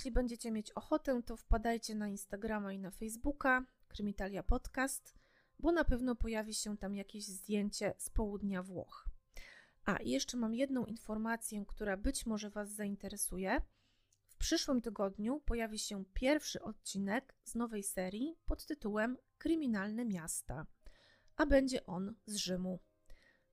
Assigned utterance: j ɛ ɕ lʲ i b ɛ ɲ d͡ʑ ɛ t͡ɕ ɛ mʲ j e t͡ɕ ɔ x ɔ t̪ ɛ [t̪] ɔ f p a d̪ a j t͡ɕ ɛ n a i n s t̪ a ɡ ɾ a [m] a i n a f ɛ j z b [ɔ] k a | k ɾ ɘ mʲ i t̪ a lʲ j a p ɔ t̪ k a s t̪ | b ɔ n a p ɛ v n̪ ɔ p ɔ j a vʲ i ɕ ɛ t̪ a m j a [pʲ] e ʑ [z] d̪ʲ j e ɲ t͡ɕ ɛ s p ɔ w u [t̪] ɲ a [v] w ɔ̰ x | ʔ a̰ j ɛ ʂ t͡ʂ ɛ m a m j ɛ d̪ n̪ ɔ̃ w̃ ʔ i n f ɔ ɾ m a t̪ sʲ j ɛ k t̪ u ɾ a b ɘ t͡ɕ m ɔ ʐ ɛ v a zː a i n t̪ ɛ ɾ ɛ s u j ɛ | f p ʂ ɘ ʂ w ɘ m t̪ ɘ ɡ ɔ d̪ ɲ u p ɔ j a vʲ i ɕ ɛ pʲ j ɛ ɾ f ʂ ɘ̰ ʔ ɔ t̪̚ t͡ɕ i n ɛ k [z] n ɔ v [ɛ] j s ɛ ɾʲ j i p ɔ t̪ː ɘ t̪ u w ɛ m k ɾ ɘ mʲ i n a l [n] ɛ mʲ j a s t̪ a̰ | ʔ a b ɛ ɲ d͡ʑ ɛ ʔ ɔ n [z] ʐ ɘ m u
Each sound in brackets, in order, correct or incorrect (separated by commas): correct, correct, incorrect, incorrect, correct, incorrect, correct, correct, correct, correct, correct